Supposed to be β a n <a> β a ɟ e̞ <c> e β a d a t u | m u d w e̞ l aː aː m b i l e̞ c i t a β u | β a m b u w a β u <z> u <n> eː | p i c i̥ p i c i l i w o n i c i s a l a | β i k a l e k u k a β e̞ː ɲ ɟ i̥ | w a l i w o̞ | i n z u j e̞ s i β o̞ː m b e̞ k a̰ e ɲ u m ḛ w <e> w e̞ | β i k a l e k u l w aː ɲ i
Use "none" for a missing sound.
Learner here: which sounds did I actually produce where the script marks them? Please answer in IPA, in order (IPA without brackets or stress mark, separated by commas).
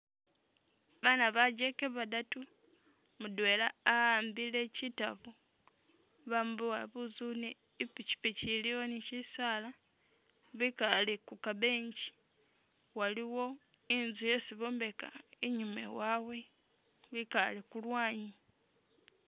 a, k, z, n, a